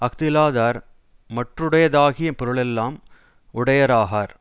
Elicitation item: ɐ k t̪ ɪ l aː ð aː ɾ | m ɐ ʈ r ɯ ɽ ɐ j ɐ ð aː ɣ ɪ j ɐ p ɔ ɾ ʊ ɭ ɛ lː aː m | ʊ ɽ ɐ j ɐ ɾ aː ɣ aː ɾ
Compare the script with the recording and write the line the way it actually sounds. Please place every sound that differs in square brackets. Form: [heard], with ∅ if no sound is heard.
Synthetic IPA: ɐ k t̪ ɪ l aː ð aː ɾ | m ɐ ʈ r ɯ ɽ ɐ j ɐ ð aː ɣ ɪ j ɐ p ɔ ɾ [ɯ] ɭ ɛ lː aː m | ʊ ɽ ɐ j ɐ ɾ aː ɣ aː ɾ